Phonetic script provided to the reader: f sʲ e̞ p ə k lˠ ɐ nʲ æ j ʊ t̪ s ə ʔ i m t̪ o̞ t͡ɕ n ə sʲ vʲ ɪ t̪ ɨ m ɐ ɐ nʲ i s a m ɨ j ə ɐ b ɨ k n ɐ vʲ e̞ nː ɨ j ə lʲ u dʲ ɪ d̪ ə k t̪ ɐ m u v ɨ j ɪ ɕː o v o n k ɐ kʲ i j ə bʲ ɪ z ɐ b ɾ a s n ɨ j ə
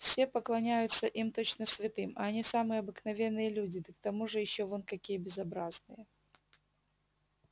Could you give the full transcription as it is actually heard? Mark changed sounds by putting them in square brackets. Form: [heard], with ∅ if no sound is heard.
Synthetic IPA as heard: f sʲ e̞ p ə k lˠ ɐ nʲ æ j ʊ t̪ s ə ʔ i m t̪ o̞ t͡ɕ n ə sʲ vʲ ɪ t̪ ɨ m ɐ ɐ nʲ i s a m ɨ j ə ɐ b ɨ k n ɐ vʲ e̞ nː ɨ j ə lʲ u dʲ ɪ d̪ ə k t̪ ɐ m u [ʐ] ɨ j ɪ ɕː o v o n k ɐ kʲ i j ə bʲ ɪ z ɐ b ɾ a [z] n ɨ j ə